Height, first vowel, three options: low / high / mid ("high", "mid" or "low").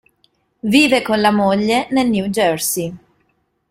high